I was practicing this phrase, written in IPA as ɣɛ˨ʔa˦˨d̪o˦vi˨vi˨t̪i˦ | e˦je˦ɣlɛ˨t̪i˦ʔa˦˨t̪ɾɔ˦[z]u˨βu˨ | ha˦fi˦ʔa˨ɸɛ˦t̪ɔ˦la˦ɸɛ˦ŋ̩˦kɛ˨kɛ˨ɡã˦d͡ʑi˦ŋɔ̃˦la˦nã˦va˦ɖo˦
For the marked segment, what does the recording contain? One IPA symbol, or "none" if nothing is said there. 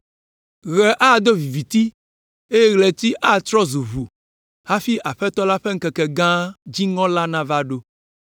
z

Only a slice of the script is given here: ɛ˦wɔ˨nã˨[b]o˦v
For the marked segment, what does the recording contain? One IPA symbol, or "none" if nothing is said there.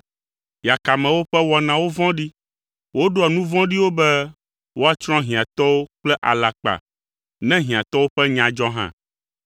w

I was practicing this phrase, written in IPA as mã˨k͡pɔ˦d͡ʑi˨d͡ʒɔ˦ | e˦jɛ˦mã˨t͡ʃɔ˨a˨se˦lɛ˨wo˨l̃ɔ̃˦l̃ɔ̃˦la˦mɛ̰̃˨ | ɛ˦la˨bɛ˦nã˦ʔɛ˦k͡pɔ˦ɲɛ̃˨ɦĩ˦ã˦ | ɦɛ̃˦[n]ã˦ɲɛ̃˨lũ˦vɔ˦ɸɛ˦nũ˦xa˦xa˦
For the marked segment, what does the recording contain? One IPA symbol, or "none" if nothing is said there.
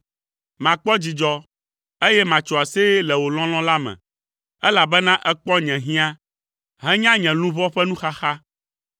ɲ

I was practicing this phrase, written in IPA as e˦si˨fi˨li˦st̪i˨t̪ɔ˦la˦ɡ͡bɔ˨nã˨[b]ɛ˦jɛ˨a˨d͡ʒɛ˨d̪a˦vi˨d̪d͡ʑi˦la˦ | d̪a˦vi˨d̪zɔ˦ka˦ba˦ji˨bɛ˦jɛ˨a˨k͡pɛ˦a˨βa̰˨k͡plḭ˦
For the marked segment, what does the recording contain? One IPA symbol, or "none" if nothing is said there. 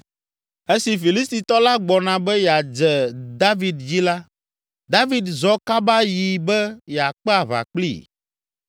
b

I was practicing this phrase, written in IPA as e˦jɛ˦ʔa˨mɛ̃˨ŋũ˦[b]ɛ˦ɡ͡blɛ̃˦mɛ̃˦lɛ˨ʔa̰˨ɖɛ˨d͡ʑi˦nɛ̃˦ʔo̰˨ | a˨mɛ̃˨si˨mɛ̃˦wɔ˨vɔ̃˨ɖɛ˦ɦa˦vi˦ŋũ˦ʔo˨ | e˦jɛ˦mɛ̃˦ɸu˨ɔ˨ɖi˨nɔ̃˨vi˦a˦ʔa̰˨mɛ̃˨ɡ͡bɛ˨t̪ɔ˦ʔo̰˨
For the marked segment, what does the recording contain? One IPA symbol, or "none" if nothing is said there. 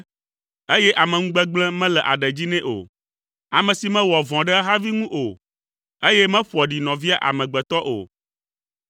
ɡ͡b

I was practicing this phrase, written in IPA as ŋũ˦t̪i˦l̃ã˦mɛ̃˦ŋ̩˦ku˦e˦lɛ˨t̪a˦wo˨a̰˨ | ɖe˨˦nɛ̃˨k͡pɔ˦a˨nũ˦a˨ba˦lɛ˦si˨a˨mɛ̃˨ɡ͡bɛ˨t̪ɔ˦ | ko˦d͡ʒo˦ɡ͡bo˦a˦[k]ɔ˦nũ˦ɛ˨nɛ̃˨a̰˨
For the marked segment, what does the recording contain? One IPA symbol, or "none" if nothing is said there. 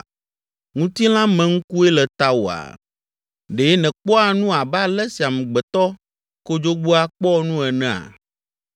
k͡p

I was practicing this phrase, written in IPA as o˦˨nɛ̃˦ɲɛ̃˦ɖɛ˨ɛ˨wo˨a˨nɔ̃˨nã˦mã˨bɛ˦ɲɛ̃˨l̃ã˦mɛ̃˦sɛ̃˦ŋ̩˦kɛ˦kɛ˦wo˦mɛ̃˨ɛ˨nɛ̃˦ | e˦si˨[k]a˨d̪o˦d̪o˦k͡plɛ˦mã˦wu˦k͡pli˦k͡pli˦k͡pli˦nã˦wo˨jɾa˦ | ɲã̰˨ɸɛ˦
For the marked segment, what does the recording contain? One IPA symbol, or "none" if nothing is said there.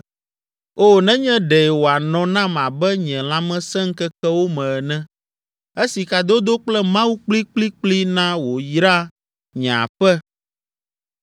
k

